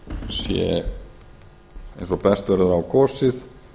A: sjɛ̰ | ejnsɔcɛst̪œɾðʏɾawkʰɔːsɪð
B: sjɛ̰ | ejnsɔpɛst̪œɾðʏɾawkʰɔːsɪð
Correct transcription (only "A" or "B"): B